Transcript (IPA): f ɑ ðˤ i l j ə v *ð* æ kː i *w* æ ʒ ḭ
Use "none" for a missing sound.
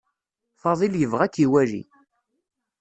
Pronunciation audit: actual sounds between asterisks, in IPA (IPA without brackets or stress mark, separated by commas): ʁ, w